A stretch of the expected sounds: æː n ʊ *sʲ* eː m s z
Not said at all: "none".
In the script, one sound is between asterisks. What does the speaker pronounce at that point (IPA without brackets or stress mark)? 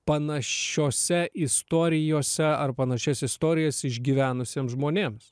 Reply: sʲ